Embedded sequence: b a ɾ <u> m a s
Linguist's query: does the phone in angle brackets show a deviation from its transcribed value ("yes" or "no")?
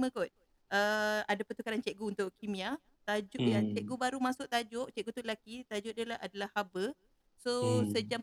no